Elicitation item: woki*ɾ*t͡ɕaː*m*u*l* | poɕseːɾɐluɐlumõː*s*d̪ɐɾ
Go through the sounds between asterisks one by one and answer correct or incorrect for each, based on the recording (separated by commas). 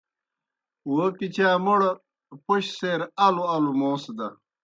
incorrect, correct, incorrect, correct